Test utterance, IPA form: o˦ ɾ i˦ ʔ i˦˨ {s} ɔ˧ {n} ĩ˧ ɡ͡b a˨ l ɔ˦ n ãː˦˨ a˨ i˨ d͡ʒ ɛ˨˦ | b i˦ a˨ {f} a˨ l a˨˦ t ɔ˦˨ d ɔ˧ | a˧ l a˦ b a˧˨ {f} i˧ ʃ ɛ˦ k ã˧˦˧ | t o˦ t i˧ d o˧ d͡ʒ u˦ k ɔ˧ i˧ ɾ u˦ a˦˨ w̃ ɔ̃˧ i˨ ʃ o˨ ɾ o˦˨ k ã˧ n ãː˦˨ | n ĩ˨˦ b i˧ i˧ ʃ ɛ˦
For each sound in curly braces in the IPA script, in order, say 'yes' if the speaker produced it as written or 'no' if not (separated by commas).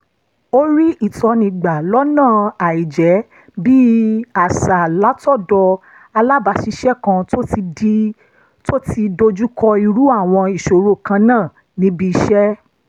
no, yes, no, no